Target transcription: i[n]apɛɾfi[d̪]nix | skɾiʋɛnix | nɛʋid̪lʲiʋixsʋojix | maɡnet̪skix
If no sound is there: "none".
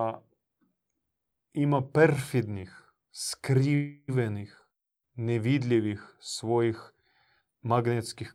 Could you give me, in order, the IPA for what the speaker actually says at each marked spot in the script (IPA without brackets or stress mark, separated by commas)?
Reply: m, d̪